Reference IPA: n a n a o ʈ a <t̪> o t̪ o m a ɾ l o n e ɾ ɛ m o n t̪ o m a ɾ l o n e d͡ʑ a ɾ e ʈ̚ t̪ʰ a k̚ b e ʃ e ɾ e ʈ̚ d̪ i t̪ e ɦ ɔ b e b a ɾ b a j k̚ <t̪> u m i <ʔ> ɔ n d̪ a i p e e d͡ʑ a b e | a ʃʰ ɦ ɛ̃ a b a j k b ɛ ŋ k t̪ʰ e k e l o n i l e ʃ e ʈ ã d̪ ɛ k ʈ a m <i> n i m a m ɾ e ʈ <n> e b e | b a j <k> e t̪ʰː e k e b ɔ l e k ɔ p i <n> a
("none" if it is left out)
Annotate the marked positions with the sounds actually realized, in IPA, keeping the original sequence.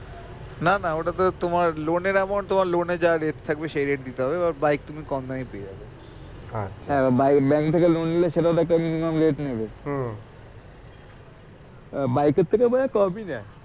t̪, t̪, k, i, n, k, n

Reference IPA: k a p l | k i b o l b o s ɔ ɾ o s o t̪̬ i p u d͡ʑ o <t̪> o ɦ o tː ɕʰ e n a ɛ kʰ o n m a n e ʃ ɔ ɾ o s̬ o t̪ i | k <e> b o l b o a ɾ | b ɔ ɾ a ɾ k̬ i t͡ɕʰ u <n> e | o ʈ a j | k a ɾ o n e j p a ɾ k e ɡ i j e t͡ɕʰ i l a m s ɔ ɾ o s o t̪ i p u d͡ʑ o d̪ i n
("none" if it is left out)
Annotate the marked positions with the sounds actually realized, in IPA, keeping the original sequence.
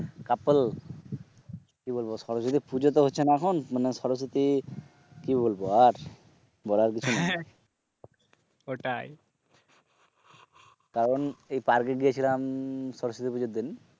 t̪, i, n

